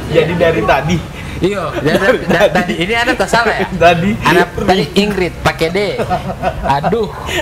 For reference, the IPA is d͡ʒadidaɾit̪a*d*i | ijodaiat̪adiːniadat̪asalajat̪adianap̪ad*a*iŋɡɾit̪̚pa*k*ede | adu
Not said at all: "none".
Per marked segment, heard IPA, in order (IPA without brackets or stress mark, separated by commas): d, i, k